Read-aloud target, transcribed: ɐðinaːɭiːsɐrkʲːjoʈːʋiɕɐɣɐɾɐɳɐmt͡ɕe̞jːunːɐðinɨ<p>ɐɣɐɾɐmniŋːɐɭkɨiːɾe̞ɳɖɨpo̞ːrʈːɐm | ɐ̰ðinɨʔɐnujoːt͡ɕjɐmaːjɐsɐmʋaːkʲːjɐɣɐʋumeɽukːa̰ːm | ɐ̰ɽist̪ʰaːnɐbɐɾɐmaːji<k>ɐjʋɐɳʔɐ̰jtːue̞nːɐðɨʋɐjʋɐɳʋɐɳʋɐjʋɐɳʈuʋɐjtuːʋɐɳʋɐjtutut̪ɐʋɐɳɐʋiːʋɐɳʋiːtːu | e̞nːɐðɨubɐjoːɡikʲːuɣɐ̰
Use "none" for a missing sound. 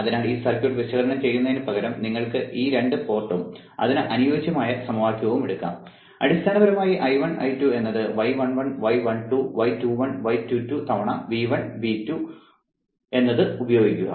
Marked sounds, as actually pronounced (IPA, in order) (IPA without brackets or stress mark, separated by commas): p, ʔ